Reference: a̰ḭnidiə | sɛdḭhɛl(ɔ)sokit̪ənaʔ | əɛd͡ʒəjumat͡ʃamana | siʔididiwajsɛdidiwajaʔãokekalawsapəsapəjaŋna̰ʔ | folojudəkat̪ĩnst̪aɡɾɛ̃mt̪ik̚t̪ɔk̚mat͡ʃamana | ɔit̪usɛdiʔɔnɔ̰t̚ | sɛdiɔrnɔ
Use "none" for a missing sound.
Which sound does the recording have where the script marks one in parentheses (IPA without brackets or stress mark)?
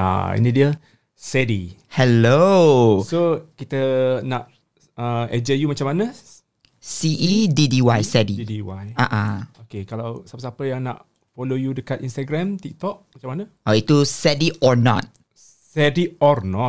o